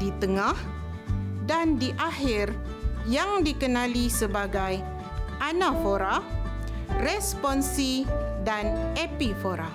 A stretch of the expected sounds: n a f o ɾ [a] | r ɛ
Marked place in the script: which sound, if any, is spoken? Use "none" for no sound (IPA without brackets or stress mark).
a